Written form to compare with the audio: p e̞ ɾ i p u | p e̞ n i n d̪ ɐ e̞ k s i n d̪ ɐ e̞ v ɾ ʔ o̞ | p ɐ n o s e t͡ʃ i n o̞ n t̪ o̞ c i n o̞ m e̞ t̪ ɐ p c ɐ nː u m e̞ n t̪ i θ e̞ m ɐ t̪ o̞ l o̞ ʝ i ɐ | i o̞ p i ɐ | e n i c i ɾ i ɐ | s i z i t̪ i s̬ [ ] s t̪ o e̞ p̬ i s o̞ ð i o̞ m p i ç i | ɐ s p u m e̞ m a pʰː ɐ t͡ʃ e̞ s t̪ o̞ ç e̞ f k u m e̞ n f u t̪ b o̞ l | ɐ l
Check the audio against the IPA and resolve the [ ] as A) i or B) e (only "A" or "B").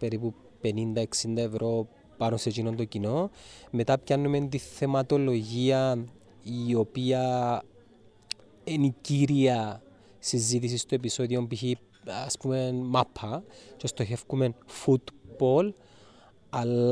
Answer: A